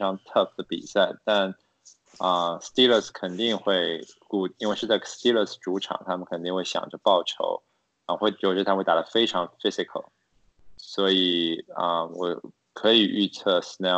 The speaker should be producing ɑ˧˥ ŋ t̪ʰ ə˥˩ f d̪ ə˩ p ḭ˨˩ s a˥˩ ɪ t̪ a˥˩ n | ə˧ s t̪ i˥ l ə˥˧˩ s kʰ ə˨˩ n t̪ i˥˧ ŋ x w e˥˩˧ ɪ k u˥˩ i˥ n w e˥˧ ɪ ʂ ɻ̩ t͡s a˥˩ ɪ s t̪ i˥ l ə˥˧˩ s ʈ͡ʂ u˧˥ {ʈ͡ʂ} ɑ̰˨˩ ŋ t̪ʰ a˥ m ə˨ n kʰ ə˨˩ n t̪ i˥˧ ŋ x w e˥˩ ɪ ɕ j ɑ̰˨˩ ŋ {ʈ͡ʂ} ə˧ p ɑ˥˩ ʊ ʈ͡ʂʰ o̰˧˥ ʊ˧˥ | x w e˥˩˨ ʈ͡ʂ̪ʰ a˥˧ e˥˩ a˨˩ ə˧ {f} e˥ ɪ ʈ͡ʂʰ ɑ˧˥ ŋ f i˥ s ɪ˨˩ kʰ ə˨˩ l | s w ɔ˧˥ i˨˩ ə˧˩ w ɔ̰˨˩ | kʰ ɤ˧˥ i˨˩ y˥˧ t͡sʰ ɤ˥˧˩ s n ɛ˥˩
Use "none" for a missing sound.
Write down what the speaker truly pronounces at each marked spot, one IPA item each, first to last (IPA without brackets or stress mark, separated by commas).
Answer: ʈ͡ʂʰ, ʈ͡ʂ, f